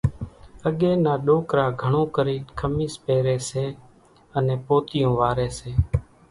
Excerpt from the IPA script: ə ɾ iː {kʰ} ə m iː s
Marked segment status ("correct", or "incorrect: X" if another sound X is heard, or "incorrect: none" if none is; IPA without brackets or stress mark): correct